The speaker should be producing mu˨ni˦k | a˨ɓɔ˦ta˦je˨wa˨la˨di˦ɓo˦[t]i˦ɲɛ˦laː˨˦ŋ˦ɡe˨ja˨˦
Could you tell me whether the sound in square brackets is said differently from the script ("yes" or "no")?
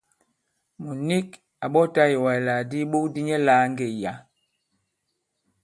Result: yes